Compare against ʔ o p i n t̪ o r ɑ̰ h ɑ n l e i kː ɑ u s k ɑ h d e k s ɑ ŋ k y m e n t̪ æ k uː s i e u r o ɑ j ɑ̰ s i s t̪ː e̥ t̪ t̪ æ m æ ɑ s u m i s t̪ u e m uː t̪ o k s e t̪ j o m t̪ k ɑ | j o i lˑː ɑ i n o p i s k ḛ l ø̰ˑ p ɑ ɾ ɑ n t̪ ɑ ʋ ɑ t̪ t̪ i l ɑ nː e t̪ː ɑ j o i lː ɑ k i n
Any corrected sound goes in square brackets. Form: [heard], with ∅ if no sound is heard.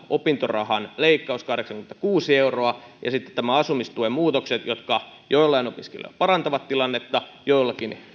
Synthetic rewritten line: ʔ o p i n t̪ o r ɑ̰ h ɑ n l e i kː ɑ u s k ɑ h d e k s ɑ ŋ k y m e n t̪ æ k uː s i e u r o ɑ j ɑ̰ s i [∅] t̪ː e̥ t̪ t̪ æ m æ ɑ s u m i s t̪ u e m uː t̪ o k s e t̪ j o [∅] t̪ k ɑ | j o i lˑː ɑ i n o p i s k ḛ l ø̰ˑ p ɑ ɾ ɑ n t̪ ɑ ʋ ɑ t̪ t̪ i l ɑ nː e t̪ː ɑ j o i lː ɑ k i n